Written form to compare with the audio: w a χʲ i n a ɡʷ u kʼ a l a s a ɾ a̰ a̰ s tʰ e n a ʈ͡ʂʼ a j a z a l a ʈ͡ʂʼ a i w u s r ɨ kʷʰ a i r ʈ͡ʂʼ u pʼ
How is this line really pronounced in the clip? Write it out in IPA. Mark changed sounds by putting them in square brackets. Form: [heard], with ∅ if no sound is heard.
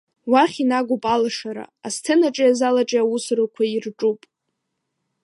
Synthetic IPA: w a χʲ i n a ɡʷ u [pʼ] a l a [ʂ] a ɾ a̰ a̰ s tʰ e n a ʈ͡ʂʼ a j a z a l a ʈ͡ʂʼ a [a] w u s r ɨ kʷʰ a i r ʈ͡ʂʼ u pʼ